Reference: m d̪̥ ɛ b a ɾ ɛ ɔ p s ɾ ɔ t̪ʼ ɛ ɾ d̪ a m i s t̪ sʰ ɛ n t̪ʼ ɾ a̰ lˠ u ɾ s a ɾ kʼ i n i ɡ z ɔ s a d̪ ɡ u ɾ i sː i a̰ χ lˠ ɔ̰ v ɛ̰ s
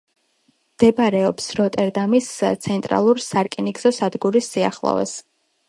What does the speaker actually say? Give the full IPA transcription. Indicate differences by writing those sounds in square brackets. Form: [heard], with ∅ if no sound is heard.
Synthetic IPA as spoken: m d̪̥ ɛ b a ɾ ɛ ɔ p s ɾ ɔ t̪ʼ ɛ ɾ d̪ a m i s t̪ sʰ ɛ n t̪ʼ ɾ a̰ lˠ u ɾ s a ɾ kʼ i n i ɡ z ɔ s a d̪ ɡ u ɾ i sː i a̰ χ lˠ ɔ̰ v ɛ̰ s